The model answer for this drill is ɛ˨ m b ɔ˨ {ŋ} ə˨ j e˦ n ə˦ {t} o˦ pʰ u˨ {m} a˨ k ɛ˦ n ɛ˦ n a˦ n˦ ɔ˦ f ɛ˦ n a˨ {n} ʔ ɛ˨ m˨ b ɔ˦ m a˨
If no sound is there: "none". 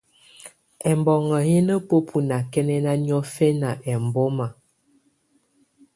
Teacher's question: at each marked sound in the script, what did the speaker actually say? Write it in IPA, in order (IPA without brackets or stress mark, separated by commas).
ŋ, p, n, none